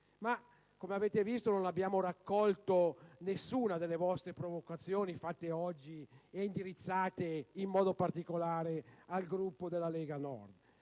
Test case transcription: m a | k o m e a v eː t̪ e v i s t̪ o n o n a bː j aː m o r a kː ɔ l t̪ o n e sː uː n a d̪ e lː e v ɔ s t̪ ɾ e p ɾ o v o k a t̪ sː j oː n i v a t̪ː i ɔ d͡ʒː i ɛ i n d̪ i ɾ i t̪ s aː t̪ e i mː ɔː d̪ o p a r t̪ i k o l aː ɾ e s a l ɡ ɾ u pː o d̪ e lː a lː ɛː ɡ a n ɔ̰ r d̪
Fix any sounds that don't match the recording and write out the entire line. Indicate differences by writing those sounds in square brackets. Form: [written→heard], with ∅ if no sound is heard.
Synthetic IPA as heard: m a | k o m e a v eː t̪ e v i s t̪ o n o n a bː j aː m o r a kː ɔ l t̪ o n e sː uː n a d̪ e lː e v ɔ s t̪ ɾ e p ɾ o v o k a t̪ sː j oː n i [v→f] a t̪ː [i→e] ɔ d͡ʒː i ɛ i n d̪ i ɾ i t̪ [s→sː] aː t̪ e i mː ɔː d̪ o p a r t̪ i k o l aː ɾ e [s→∅] a l ɡ ɾ u pː o d̪ e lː a [lː→l] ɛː ɡ a n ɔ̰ r d̪